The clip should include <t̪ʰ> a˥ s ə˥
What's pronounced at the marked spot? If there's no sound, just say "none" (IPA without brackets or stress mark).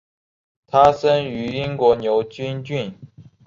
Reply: t̪ʰ